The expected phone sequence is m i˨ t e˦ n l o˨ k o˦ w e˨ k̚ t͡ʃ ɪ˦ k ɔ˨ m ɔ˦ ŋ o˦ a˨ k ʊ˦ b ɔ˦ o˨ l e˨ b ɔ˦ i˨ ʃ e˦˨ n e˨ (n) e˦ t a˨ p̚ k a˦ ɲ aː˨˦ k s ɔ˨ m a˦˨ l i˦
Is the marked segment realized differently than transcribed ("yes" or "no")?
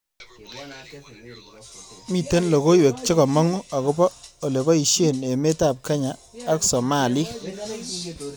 yes